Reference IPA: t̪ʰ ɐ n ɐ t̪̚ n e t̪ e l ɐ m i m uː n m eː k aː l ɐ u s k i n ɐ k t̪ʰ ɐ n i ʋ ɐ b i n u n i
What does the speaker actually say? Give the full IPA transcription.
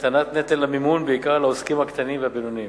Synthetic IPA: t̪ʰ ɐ n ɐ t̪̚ n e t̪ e l ɐ m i m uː n b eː k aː l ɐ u s k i m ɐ k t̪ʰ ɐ n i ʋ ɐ b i n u n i